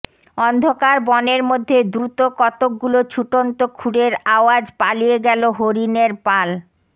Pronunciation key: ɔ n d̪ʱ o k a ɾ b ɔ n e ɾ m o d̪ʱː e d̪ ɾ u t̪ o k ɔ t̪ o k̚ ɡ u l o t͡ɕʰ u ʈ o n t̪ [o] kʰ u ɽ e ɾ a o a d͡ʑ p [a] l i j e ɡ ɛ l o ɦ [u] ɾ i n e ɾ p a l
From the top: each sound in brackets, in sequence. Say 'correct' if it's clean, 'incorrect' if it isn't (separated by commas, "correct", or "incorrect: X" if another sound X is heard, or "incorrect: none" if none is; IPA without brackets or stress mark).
correct, correct, incorrect: o